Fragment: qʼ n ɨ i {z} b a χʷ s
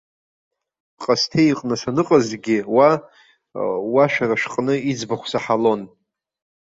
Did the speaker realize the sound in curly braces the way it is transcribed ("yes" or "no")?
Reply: no